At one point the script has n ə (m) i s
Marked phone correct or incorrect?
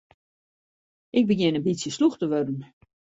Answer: incorrect